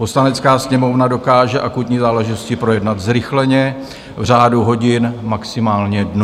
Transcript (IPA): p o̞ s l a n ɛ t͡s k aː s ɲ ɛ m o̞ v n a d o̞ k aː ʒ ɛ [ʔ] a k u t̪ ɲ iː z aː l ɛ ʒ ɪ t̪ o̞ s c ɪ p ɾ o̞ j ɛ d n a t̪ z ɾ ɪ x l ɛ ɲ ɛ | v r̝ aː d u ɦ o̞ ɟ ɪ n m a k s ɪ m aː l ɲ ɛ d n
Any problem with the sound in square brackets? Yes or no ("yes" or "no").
no